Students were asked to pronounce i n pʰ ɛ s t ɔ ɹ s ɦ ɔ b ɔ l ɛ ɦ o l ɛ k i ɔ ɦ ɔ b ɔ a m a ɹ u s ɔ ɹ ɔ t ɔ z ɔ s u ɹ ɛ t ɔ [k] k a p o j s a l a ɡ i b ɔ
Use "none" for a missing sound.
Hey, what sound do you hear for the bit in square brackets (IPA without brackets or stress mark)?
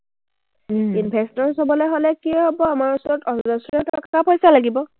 k